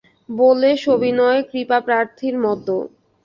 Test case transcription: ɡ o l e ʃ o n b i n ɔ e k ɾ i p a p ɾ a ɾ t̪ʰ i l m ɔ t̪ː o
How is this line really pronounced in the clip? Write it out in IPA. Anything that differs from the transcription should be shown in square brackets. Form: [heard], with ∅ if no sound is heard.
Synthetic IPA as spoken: [b] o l e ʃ o [∅] b i n ɔ e k ɾ i p a p ɾ a ɾ t̪ʰ i [ɾ] m ɔ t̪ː o